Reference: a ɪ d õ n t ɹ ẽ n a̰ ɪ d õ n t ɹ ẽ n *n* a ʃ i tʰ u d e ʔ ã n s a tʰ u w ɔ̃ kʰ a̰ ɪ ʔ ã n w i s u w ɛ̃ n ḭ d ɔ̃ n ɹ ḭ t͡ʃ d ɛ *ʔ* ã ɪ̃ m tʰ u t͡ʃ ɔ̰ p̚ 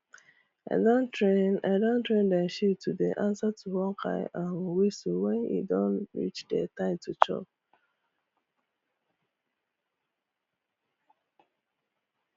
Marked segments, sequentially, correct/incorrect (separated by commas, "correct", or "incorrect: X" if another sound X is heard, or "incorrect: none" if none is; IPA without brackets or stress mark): incorrect: d, incorrect: t